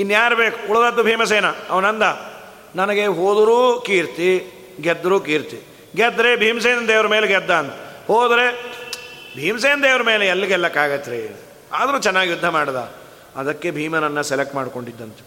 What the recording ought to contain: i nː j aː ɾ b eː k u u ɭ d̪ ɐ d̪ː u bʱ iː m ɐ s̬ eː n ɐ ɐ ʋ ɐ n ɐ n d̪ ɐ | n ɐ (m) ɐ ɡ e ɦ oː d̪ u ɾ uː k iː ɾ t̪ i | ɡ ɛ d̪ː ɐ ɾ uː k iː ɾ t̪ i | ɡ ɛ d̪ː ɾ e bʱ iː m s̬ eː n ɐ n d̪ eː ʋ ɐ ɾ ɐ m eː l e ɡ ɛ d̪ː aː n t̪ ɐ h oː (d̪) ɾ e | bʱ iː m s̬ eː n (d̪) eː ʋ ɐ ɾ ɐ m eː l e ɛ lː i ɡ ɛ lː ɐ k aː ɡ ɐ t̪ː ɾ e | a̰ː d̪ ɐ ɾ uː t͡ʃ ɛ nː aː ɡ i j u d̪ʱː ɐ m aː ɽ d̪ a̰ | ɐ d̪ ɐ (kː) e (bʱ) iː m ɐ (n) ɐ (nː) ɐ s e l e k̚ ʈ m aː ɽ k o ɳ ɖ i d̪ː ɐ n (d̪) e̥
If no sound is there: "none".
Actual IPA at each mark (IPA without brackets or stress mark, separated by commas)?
n, d̪, d̪, kː, bʱ, n, nː, t̪